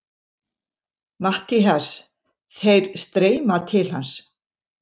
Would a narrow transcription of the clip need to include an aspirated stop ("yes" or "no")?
yes